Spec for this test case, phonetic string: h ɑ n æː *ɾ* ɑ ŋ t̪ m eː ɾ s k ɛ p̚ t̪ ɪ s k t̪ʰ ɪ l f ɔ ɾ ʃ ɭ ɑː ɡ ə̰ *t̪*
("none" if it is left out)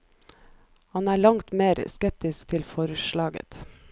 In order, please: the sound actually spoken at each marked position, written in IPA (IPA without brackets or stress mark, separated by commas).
ɭ, t̪